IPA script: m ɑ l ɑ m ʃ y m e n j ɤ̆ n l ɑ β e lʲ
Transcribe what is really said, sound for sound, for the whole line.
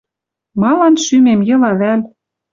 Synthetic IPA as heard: m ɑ l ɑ n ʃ y m e m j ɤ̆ l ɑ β æ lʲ

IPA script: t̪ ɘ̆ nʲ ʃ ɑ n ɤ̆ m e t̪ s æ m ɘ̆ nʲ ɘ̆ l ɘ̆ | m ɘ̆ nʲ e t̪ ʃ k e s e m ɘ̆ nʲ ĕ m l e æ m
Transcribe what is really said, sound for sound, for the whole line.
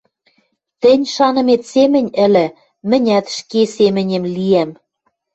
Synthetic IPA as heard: t̪ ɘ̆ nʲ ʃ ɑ n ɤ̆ m e t̪ s e m ɘ̆ nʲ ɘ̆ l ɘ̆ | m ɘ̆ nʲ æ t̪ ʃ k e s e m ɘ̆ nʲ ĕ m l i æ m

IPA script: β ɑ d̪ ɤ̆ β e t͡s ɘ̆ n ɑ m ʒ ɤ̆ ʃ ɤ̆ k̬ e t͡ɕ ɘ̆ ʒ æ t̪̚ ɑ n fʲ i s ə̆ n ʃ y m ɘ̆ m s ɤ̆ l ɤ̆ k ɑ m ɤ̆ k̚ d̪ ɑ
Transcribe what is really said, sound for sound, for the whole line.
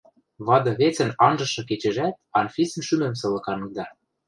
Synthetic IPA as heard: β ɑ d̪ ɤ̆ β e t͡s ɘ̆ n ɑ n ʒ ɤ̆ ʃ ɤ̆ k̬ e t͡ɕ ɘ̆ ʒ æ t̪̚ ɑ n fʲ i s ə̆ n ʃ y m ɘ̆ m s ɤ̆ l ɤ̆ k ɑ n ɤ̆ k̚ d̪ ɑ

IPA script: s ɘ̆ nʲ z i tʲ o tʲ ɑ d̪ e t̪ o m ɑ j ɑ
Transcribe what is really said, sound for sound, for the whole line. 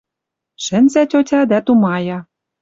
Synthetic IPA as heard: ʃ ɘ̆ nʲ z æ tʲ o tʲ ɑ d̪ æ t̪ u m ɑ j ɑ

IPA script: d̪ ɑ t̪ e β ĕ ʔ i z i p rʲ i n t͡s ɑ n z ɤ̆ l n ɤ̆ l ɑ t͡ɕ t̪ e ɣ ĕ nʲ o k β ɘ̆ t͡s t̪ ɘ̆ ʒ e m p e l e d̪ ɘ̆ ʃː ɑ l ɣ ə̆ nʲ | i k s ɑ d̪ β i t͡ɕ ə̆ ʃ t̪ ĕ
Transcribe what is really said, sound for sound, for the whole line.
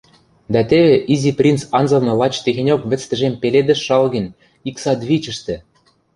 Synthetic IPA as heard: d̪ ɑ t̪ e β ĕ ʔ i z i p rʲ i n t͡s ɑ n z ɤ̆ l n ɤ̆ l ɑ t͡ɕ t̪ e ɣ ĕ nʲ o k β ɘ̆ t͡s t̪ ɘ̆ ʒ e m p e l e d̪ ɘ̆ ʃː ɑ l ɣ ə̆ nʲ | i k s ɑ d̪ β i t͡ɕ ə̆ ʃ t̪ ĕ

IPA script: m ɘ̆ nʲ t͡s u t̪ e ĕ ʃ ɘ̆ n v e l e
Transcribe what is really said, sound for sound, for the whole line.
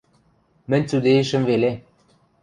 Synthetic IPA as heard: m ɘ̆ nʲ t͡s u d̪ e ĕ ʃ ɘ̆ m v e l e

